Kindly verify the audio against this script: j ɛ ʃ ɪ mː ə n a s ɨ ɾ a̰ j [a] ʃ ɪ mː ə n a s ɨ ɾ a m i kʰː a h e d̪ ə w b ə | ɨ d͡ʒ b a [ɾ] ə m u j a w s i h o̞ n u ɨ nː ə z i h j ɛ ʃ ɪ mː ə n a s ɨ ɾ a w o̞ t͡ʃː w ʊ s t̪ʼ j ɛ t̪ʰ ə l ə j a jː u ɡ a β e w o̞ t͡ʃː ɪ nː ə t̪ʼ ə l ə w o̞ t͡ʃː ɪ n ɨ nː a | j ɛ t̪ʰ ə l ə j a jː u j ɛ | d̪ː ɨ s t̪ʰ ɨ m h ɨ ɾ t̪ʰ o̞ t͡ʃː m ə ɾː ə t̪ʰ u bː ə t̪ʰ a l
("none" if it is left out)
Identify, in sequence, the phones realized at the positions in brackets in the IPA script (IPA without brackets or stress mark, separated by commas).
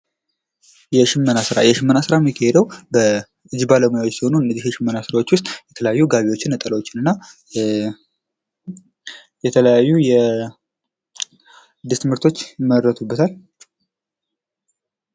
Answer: ɛ, l